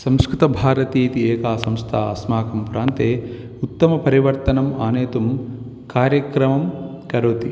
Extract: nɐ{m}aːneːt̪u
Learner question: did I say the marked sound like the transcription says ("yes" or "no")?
yes